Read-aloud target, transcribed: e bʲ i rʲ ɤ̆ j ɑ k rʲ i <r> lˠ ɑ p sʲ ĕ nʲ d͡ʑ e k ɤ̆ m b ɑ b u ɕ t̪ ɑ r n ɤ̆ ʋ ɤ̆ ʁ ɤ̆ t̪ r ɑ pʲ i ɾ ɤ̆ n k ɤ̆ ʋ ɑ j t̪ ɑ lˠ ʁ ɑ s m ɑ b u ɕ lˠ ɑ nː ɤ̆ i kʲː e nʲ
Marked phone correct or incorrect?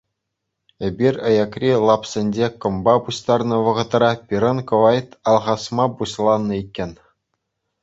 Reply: incorrect: none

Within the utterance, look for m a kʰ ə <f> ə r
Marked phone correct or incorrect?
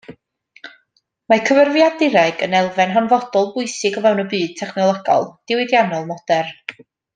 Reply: incorrect: v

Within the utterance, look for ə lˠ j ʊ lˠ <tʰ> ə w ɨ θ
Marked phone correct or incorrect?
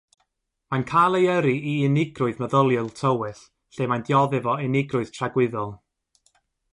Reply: correct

